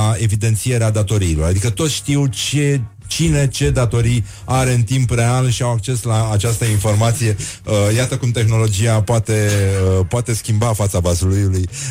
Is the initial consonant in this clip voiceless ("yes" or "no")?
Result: no